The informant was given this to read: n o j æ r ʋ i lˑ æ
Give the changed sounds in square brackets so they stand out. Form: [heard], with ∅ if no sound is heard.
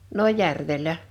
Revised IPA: n o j æ r ʋ [e] lˑ æ